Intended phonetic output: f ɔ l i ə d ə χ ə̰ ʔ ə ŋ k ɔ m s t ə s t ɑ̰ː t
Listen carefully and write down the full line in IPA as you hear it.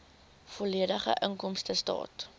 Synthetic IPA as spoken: f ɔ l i ə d ə χ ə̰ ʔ ə ŋ k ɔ m s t ə s t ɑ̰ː t